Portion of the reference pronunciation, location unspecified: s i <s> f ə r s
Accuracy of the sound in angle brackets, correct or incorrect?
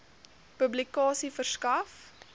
incorrect